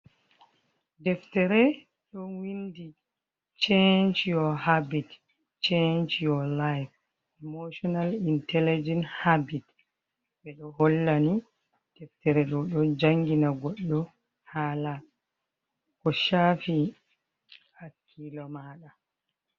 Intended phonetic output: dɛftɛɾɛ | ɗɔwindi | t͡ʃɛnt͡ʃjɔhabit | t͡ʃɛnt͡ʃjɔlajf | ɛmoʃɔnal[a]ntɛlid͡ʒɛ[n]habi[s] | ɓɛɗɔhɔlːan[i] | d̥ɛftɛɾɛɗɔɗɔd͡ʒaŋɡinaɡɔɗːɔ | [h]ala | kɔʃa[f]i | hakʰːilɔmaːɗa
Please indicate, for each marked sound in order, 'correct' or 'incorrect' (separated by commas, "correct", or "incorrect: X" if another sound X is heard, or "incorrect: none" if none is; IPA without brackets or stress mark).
incorrect: i, correct, incorrect: t, correct, correct, correct